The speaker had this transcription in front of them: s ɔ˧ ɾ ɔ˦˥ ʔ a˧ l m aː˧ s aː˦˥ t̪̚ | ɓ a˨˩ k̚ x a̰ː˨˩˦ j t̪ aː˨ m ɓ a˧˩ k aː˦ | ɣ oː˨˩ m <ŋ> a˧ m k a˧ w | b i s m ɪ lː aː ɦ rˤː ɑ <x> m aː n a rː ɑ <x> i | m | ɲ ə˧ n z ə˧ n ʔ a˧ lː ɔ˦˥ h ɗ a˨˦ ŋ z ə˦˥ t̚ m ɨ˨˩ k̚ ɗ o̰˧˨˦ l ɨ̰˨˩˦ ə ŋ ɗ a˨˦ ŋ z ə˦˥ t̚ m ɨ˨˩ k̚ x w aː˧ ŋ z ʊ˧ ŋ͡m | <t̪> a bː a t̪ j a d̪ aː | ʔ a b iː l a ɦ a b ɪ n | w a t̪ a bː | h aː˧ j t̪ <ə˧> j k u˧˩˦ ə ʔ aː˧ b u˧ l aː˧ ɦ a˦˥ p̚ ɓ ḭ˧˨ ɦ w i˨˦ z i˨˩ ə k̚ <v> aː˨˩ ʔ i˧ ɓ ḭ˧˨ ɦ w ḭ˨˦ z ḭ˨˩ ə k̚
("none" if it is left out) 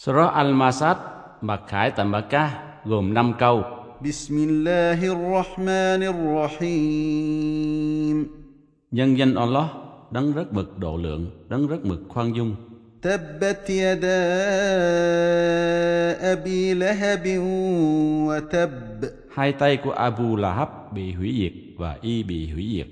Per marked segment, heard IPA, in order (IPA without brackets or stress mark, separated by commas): n, ħ, ħ, t̪, a˧, v